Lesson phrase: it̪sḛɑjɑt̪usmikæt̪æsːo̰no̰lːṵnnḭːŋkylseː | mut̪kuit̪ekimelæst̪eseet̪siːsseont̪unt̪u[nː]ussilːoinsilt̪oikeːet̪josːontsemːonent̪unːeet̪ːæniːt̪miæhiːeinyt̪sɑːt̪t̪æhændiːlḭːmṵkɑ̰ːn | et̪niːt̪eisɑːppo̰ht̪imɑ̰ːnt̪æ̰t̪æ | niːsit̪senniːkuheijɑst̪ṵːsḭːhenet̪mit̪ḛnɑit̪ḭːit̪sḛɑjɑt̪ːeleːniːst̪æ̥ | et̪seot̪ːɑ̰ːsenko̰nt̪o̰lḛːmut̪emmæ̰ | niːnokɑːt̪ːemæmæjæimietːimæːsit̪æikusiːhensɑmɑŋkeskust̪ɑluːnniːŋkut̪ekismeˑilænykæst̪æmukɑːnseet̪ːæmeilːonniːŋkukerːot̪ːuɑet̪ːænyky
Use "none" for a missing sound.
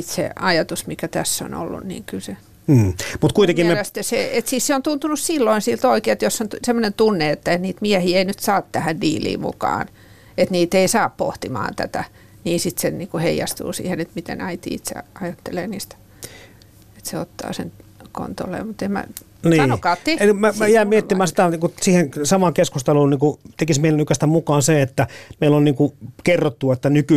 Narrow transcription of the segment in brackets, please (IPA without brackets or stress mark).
n